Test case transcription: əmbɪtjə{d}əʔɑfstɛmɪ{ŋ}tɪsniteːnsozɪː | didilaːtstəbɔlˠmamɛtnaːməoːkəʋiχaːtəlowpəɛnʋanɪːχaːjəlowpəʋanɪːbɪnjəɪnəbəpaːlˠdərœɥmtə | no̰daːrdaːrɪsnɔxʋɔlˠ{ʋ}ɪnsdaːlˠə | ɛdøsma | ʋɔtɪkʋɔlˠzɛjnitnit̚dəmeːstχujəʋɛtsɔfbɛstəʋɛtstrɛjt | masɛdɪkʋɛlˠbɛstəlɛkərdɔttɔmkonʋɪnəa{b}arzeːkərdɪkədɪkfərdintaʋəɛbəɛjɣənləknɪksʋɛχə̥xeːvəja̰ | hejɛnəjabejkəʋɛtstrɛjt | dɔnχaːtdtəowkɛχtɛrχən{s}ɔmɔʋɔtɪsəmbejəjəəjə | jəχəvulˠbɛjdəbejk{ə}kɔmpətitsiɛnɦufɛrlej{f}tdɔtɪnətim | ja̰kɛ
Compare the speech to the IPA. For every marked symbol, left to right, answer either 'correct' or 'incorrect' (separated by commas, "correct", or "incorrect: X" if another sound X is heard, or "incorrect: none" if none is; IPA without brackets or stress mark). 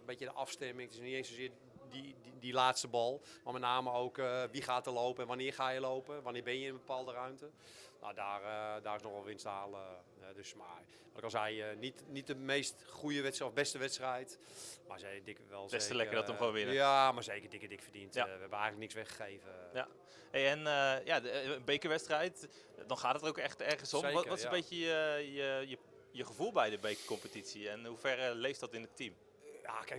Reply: correct, correct, correct, incorrect: m, correct, correct, correct